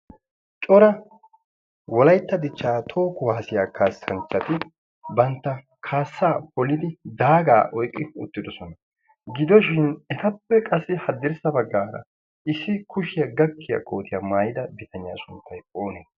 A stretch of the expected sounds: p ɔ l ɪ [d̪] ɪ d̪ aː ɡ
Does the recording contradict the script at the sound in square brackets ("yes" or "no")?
no